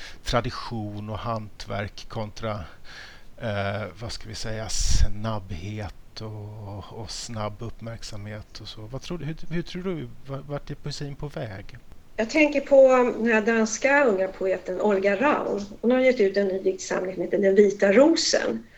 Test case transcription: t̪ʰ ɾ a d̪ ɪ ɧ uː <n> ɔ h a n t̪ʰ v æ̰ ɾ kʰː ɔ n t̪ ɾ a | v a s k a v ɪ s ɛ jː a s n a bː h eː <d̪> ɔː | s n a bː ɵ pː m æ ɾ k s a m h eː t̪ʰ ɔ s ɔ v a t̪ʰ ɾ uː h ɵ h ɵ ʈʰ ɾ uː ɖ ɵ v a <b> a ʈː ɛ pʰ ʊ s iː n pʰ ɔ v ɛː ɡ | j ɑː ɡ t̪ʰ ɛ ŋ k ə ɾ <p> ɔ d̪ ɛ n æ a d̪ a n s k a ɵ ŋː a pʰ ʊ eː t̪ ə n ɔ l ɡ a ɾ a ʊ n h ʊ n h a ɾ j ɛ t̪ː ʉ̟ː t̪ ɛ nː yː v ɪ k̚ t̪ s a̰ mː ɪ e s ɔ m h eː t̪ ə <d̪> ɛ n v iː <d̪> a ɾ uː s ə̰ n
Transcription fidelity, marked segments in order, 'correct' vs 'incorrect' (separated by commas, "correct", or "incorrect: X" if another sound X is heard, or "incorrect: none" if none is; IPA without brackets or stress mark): correct, incorrect: t̪, incorrect: v, incorrect: pʰ, correct, incorrect: t̪